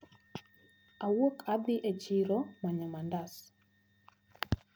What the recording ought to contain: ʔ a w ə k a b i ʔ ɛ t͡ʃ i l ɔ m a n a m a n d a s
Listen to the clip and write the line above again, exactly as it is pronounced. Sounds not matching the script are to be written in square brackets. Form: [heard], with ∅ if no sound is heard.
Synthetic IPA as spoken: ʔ a w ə k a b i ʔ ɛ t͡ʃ i [ɾ] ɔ m a [ɲ] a m a n d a s